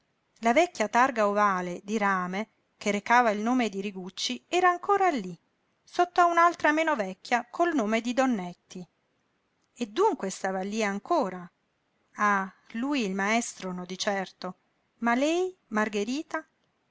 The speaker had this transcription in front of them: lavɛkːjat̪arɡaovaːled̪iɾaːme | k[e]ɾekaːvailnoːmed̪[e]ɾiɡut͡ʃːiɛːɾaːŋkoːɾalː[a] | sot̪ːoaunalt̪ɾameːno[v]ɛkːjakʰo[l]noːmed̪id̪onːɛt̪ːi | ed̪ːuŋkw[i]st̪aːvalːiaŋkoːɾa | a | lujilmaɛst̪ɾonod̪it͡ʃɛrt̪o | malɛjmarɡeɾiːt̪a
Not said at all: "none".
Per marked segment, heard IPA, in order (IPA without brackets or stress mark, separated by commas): e, i, i, v, l, e